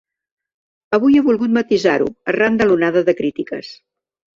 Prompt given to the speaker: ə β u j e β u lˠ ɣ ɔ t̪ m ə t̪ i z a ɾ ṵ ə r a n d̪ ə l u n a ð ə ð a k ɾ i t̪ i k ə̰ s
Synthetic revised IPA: ə β u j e β u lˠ ɣ u t̪ m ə t̪ i z a ɾ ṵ ə r a n d̪ ə l u n a ð ə ð ə k ɾ i t̪ i k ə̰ s